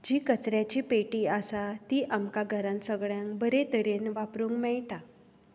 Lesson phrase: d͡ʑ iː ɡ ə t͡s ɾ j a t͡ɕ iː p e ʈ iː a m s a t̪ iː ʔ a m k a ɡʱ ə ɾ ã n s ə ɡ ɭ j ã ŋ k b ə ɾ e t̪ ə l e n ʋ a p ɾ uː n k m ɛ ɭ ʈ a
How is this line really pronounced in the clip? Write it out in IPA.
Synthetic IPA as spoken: d͡ʑ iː k ə t͡s ɾ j a t͡ɕ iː p e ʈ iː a s a t̪ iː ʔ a m k a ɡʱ ə ɾ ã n s ə ɡ ɭ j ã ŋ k b ə ɾ e t̪ ə ɾ e n ʋ a p ɾ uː ŋ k m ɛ ɭ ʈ a